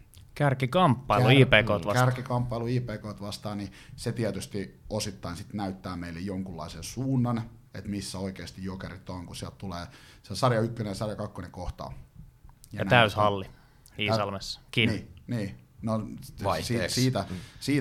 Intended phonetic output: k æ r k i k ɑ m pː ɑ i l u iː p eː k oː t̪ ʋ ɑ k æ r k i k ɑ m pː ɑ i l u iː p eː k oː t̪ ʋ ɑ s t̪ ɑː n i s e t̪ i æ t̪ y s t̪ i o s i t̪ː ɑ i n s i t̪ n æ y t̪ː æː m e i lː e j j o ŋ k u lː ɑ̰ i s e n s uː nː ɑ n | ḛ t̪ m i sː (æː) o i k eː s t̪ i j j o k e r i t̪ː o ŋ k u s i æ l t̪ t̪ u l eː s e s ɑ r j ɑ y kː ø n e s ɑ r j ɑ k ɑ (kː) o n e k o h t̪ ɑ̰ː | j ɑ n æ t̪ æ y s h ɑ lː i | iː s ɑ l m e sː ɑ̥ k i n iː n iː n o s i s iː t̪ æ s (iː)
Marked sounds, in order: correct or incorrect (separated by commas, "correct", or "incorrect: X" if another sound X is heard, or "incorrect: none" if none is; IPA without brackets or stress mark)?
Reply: incorrect: æ, correct, correct